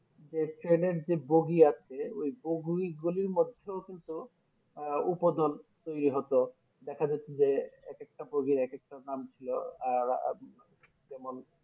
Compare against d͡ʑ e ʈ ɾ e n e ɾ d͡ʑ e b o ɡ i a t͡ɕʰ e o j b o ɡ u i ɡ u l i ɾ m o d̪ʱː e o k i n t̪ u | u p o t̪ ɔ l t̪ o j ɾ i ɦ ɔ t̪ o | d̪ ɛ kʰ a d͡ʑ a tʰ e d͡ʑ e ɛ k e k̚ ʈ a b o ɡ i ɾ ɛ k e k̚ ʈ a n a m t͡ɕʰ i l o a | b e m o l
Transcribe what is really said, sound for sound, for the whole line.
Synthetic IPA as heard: d͡ʑ e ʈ ɾ e n e ɾ d͡ʑ e b o ɡ i a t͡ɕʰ e o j b o ɡ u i ɡ u l i ɾ m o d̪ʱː e o k i n t̪ u | u p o d̪ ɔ l t̪ o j ɾ i ɦ ɔ t̪ o | d̪ ɛ kʰ a d͡ʑ a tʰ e d͡ʑ e ɛ k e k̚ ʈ a b o ɡ i ɾ ɛ k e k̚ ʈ a n a m t͡ɕʰ i l o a | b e m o l

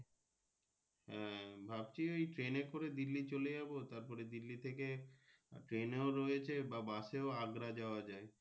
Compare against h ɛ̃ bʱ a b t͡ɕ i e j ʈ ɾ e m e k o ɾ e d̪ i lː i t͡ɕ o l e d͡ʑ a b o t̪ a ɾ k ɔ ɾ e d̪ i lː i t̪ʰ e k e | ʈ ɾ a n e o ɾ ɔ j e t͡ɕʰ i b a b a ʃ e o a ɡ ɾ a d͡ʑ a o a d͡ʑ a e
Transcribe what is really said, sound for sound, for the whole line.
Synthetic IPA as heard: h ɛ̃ bʱ a b t͡ɕ i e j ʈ ɾ e n e k o ɾ e d̪ i lː i t͡ɕ o l e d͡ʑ a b o t̪ a ɾ p ɔ ɾ e d̪ i lː i t̪ʰ e k e | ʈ ɾ e n e o ɾ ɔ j e t͡ɕʰ e b a b a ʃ e o a ɡ ɾ a d͡ʑ a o a d͡ʑ a e

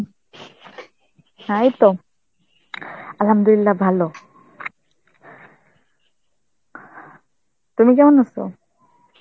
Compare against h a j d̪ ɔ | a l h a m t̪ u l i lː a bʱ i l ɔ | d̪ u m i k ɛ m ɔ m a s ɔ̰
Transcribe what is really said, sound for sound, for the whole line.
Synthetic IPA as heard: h a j t̪ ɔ | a l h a m d̪ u l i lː a bʱ a l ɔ | t̪ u m i k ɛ m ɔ n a s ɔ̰

